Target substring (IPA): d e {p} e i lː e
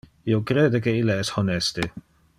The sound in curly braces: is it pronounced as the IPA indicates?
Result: no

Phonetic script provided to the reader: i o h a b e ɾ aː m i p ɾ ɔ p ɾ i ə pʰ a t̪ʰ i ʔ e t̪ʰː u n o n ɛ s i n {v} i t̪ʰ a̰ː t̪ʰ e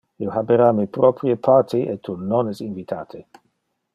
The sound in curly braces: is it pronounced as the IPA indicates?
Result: yes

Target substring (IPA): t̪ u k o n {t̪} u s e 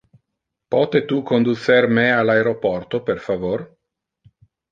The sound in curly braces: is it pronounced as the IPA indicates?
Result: no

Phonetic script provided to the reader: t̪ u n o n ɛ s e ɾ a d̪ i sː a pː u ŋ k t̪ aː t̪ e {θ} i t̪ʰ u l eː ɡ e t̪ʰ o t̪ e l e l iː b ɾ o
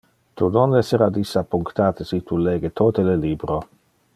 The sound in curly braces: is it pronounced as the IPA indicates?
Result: no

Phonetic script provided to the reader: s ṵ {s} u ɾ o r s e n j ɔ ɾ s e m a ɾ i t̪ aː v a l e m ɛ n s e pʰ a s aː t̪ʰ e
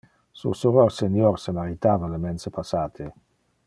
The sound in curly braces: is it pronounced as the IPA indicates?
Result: yes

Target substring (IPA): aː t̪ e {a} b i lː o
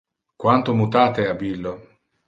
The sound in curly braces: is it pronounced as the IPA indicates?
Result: yes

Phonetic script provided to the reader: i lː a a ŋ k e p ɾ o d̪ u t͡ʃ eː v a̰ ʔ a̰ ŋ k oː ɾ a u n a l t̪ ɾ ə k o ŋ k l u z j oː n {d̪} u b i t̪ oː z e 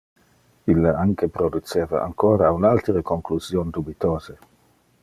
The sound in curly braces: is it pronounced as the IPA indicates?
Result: yes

